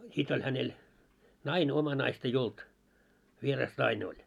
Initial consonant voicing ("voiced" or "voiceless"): voiceless